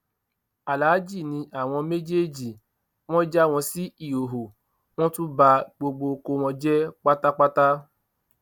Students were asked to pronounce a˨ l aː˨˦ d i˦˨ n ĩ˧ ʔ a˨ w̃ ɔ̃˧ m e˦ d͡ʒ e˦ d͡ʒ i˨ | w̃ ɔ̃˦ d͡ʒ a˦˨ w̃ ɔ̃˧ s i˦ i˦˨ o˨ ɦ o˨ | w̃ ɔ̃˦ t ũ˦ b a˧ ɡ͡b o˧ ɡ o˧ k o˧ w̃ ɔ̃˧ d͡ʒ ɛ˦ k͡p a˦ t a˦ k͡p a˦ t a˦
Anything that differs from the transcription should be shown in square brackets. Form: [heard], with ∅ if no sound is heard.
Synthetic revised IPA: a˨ l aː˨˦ [d͡ʒ] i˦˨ n ĩ˧ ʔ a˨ w̃ ɔ̃˧ m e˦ d͡ʒ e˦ d͡ʒ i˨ | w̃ ɔ̃˦ d͡ʒ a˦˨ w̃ ɔ̃˧ s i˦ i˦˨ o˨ ɦ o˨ | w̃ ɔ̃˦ t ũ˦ b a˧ ɡ͡b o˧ [ɡ͡b] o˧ k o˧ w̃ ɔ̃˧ d͡ʒ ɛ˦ k͡p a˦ t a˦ k͡p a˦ t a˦